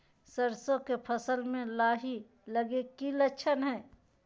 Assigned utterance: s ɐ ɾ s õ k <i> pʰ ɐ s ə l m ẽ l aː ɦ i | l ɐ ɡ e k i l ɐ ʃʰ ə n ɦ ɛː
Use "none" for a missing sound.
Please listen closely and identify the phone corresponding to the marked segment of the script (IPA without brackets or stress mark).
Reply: e